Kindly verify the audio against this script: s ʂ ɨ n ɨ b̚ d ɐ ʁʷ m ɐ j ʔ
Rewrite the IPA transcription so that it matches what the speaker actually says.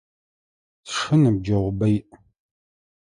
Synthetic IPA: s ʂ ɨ n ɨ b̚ d͡ʒ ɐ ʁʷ b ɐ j ʔ